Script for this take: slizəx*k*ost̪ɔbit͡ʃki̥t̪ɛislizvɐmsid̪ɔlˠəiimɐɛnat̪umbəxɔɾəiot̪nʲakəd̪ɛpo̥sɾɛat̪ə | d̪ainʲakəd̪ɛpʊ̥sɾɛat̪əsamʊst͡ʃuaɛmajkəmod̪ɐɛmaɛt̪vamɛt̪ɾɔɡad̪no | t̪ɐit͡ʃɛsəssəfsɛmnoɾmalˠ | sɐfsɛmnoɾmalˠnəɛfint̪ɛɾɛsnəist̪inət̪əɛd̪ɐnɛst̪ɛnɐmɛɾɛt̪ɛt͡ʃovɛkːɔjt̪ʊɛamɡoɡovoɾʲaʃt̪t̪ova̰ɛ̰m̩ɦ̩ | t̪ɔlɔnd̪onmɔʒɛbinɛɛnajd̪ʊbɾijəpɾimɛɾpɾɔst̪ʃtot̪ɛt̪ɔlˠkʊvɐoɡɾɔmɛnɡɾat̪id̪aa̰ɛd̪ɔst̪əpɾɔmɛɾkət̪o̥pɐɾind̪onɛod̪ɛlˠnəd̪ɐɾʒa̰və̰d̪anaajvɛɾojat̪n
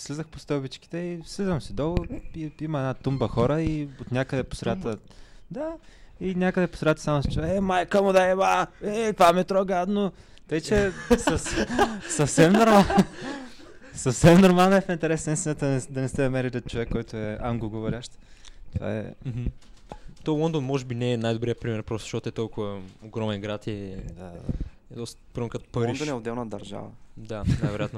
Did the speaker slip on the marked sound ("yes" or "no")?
yes